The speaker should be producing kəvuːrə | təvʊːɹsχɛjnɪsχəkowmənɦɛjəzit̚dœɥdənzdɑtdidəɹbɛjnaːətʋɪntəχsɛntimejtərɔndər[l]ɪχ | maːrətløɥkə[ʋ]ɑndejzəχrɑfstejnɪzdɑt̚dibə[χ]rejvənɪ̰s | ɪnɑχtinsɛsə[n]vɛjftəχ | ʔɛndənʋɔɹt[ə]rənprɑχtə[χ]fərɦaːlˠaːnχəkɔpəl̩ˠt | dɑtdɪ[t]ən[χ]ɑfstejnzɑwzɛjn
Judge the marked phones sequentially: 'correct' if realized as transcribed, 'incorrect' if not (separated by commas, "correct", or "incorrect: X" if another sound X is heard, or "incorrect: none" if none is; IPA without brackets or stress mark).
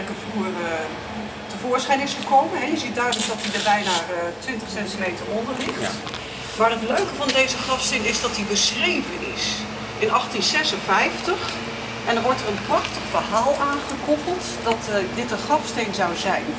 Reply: correct, incorrect: v, incorrect: s, correct, correct, correct, correct, correct